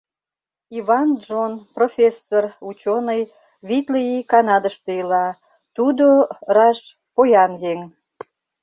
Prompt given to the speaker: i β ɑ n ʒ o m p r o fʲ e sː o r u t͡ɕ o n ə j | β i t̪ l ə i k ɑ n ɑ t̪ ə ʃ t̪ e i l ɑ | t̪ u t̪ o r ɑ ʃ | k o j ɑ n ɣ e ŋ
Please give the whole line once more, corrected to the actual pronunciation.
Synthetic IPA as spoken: i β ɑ n ʒ o n p r o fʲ e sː o r u t͡ɕ o n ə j | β i t̪ l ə i k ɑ n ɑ d̪ ə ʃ t̪ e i l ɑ | t̪ u d̪ o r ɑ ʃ | p o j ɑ n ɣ e ŋ